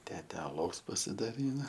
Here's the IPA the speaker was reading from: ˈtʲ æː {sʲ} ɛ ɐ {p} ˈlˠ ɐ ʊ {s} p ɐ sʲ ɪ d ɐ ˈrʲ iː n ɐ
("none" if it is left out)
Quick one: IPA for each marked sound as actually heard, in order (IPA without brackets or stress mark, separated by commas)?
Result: tʲ, none, s